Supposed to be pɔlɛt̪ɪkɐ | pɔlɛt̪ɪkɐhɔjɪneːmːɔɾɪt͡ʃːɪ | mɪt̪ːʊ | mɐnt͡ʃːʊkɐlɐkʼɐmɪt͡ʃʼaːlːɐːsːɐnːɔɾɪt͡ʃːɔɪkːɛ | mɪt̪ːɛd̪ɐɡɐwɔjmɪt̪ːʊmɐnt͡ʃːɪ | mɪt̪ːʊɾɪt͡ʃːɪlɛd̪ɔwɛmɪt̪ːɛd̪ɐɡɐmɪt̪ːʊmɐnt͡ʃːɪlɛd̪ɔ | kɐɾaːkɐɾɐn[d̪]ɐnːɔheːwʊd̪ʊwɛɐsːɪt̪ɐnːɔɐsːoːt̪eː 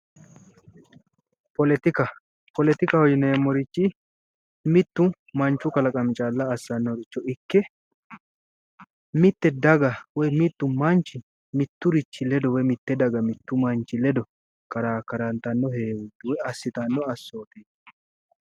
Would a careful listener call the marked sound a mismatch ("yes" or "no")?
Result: yes